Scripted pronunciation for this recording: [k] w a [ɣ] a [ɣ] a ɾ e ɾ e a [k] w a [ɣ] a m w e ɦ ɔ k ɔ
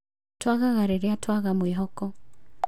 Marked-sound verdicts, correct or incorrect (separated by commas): incorrect, correct, correct, incorrect, correct